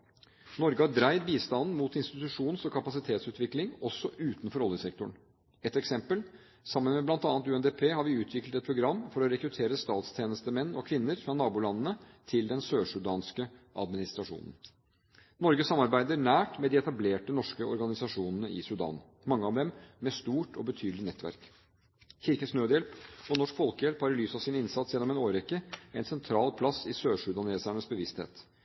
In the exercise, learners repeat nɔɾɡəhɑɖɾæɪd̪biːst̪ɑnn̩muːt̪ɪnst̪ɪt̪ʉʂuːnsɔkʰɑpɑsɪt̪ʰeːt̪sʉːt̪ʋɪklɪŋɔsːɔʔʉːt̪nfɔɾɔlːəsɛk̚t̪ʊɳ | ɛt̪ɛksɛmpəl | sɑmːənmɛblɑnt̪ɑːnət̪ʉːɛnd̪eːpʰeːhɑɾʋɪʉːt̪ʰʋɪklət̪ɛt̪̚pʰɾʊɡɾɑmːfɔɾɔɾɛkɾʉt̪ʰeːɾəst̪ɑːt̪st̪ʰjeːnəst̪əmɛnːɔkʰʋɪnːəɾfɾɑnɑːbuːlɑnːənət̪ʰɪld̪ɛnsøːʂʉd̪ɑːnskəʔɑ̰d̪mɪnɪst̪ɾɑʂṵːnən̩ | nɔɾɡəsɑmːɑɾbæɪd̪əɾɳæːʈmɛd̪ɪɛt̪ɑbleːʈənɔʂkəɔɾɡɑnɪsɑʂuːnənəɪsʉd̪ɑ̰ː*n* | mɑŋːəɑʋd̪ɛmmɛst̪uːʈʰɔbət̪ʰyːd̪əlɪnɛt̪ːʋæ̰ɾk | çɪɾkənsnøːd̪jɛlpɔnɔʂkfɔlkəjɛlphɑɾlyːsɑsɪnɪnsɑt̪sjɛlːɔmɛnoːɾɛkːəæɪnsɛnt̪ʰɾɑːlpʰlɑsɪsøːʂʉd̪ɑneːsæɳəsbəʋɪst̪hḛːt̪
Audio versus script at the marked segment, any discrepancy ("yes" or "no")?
no